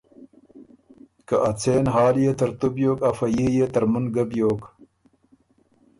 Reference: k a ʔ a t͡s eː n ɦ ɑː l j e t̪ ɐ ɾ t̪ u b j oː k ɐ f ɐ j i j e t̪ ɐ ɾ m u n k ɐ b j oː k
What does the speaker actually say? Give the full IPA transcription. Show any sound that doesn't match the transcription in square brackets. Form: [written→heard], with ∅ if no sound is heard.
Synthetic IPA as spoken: k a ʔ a t͡s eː n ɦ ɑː l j e t̪ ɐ ɾ t̪ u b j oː k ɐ f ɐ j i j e t̪ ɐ ɾ m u n [k→ɡ] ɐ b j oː k